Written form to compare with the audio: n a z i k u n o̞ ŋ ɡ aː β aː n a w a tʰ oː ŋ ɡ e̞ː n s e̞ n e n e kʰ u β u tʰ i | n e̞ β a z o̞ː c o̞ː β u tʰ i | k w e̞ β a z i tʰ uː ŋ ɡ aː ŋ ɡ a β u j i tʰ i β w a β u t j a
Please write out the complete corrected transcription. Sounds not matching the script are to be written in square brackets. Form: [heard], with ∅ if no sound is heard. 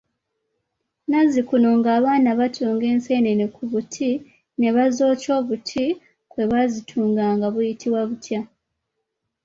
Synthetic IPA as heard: n a z i k u n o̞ ŋ ɡ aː β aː n a [β] a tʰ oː ŋ ɡ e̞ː n s e̞ n e n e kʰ u β u tʰ i | n e̞ β a z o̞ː c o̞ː β u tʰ i | k w e̞ β a z i tʰ uː ŋ ɡ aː ŋ ɡ a β u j i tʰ i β w a β u t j a

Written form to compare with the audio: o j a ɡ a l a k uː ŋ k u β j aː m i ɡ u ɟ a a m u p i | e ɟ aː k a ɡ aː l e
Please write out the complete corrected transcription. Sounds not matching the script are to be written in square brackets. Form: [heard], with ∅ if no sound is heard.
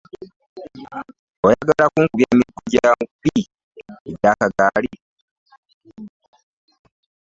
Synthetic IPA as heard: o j a ɡ a l a k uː ŋ k u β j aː m i ɡ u ɟ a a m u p i | e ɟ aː k a ɡ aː l [i]

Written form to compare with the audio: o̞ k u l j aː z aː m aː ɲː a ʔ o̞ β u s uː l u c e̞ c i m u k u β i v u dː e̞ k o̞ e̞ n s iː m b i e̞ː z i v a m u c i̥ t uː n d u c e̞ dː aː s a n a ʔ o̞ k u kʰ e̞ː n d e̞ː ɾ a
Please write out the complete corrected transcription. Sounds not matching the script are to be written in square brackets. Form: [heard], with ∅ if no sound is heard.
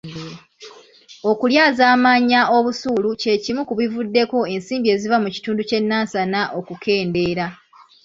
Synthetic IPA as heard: o̞ k u l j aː z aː m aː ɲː a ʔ o̞ β u s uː l u c e̞ c i m u k u β i v u dː e̞ k o̞ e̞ n s iː m b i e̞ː z i v a m u c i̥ t uː n d u c e̞ [nː] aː s a n a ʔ o̞ k u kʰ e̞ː n d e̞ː ɾ a

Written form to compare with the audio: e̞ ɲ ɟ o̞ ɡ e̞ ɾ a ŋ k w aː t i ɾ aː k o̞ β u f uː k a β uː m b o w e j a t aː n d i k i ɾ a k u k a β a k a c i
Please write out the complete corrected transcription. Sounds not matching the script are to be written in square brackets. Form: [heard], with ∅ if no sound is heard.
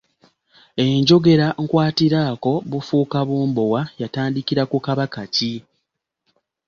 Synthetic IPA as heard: e̞ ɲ ɟ o̞ ɡ e̞ ɾ a ŋ k w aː t i ɾ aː k o̞ β u f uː k a β uː m b o w [a] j a t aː n d i k i ɾ a k u k a β a k a c i

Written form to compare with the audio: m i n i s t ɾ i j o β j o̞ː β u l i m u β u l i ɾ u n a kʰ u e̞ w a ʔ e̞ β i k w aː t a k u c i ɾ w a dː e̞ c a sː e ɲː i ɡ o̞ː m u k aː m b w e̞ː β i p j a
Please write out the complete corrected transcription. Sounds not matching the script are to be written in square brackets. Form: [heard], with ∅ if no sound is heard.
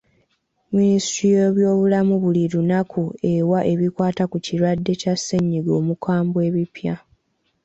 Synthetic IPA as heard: m i n i s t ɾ i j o β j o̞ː β u l [a] m u β u l i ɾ u n a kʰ u e̞ w a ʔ e̞ β i k w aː t a k u c i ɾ w a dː e̞ c a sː e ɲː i ɡ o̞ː m u k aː m b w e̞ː β i p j a

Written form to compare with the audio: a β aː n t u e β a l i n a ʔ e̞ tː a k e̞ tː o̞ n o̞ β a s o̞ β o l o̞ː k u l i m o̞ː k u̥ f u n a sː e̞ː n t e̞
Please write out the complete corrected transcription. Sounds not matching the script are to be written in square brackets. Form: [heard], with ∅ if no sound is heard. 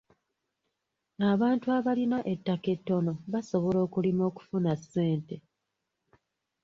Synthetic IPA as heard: a β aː n t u [a] β a l i n a ʔ e̞ tː a k e̞ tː o̞ n o̞ β a s o̞ β o l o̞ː k u l i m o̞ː k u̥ f u n a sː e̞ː n t e̞

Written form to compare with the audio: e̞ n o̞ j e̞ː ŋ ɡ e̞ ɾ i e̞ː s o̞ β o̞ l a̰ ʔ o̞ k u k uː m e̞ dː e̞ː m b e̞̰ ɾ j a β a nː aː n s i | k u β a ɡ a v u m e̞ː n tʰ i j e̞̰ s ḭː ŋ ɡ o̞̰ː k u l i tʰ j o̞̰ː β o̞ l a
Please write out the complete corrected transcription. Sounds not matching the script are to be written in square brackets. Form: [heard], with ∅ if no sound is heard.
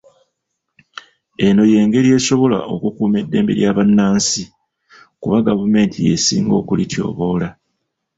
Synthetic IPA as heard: e̞ n o̞ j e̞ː ŋ ɡ e̞ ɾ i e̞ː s o̞ β o̞ l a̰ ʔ o̞ k u k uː m e̞ dː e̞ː m b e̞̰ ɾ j a β a nː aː n s i | k u β a ɡ a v u m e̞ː n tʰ i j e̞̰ s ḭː ŋ ɡ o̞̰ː k u l i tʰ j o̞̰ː β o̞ l a

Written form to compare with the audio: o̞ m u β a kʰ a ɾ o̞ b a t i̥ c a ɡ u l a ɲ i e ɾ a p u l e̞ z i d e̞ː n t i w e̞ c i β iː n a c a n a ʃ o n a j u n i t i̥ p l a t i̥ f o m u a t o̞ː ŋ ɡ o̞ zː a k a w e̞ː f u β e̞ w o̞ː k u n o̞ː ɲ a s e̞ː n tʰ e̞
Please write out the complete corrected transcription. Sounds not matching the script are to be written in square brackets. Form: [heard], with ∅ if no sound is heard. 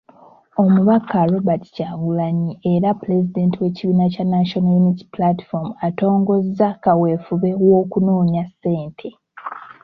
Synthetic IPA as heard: o̞ m u β a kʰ a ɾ o̞ b a t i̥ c a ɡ u l a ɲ i e ɾ a p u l e̞ z i d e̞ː n t i w e̞ c i β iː n a c a n a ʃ o n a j u n i t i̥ p l a t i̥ f o m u a t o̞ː ŋ ɡ o̞ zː a k a w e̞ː f u β e̞ w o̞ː k u n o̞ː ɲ a s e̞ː n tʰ e̞

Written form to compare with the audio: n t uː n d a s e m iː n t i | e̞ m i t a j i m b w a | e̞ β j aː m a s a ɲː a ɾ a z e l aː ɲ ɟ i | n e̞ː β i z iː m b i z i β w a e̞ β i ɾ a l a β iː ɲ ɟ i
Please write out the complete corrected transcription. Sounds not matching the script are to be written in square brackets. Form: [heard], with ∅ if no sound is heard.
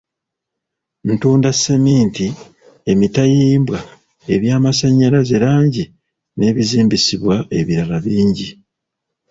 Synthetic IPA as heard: n t uː n d a s e m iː n t i | e̞ m i t a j [iː] m b w a | e̞ β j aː m a s a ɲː a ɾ a z e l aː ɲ ɟ i | n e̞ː β i z iː m b i [s] i β w a e̞ β i ɾ a l a β iː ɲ ɟ i

